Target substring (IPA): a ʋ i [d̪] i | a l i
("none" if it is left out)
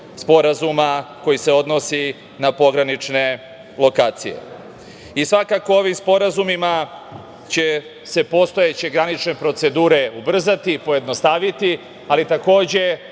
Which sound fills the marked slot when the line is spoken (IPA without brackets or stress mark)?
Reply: t̪